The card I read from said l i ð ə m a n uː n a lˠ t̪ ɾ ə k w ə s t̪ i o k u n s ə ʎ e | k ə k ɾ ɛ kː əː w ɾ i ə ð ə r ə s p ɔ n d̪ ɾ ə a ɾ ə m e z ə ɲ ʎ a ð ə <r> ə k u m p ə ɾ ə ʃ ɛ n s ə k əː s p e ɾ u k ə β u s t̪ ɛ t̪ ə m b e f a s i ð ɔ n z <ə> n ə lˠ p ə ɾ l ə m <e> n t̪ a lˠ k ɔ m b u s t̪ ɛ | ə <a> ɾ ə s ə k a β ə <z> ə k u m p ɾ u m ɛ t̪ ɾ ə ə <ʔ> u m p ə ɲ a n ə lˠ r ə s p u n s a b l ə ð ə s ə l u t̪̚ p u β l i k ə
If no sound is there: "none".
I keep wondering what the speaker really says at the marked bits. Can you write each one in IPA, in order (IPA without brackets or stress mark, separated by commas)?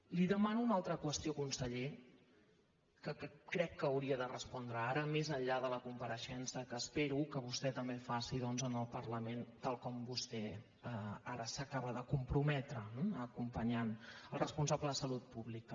l, ə, e, a, ð, k